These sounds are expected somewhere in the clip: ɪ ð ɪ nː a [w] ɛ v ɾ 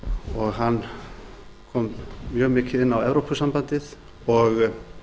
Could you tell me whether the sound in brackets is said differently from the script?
no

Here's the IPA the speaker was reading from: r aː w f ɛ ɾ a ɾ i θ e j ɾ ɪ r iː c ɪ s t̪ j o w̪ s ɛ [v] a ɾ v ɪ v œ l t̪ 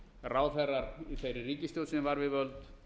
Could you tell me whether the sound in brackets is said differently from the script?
no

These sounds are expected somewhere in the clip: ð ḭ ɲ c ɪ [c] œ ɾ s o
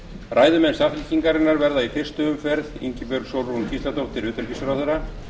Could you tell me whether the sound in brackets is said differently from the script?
yes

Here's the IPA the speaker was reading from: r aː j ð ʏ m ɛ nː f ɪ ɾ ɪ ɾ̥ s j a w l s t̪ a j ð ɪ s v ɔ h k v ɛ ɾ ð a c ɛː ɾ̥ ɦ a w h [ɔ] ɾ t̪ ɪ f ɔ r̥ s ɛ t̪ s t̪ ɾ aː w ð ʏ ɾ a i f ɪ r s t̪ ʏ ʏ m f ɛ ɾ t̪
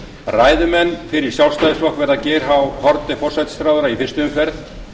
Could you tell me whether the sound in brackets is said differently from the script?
no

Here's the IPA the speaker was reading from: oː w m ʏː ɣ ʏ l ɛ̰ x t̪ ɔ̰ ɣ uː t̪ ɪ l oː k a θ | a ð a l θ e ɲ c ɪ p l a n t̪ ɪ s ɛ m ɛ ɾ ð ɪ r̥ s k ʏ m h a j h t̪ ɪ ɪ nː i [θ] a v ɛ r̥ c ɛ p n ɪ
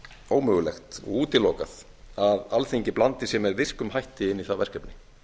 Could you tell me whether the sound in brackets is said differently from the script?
no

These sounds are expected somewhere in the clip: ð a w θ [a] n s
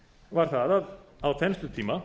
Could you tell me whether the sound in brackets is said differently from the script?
yes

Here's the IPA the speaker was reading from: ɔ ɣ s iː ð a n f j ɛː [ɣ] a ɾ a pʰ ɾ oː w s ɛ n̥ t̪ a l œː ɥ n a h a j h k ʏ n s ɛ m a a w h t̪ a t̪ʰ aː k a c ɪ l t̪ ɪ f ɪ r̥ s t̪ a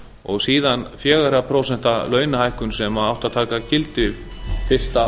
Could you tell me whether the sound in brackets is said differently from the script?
no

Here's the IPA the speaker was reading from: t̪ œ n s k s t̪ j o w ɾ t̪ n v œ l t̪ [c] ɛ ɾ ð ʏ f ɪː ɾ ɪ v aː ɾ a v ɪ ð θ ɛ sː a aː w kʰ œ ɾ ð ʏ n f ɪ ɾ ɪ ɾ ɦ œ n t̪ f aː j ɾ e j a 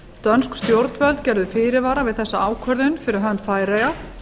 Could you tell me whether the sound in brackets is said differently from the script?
no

